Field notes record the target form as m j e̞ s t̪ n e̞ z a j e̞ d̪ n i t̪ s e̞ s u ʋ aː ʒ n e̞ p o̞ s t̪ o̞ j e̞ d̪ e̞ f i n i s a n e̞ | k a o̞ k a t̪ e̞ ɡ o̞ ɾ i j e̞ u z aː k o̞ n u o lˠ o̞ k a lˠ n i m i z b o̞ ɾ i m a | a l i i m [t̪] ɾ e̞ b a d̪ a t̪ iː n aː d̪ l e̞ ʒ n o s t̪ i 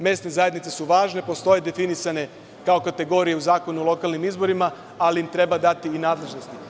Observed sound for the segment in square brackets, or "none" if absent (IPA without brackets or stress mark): t̪